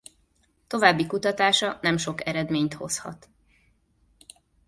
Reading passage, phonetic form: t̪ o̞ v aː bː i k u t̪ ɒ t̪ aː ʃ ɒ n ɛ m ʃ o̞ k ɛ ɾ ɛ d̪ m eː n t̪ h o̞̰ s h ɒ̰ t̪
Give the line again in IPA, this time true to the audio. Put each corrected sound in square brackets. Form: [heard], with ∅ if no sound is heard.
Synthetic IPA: t̪ o̞ v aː bː i k u t̪ ɒ t̪ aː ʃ ɒ n ɛ m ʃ o̞ k ɛ ɾ ɛ d̪ m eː [ɲ] t̪ h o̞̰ s h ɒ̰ t̪